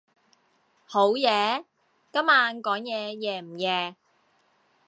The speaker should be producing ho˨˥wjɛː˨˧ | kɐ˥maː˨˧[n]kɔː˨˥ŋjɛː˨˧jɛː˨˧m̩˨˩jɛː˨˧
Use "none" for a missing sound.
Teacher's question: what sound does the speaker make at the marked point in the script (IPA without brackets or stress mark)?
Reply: n